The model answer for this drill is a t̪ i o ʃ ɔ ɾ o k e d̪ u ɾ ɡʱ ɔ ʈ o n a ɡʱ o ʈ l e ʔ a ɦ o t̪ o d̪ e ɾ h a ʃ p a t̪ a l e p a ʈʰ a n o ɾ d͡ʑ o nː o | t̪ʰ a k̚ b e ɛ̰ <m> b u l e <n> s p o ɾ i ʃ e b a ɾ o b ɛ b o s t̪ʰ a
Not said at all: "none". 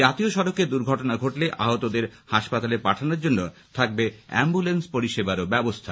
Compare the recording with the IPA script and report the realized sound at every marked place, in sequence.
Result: m, n

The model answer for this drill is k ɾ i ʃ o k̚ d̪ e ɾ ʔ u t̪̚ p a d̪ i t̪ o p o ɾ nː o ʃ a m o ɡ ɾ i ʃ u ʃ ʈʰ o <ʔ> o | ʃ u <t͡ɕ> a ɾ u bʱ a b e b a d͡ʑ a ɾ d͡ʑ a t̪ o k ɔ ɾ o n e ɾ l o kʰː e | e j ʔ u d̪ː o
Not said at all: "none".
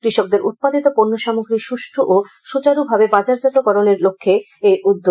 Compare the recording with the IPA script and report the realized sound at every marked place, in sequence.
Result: ʔ, t͡ɕ

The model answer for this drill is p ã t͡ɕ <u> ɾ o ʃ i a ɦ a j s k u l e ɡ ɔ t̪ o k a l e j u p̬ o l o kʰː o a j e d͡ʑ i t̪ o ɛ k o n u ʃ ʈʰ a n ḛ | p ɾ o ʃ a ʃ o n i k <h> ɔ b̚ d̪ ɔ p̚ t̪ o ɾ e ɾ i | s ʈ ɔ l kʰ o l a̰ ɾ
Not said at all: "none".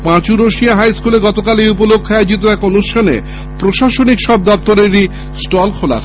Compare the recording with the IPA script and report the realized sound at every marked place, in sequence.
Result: u, ʃ

